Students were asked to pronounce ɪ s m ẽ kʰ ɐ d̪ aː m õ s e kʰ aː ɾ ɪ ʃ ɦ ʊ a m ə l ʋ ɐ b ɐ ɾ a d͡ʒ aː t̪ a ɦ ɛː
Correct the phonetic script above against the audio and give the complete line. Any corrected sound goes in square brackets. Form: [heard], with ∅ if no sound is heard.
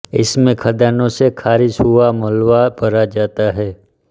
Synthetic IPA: ɪ s m ẽ kʰ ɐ d̪ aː [n] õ s e kʰ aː ɾ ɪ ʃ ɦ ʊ a m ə l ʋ [a] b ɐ ɾ a d͡ʒ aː t̪ a ɦ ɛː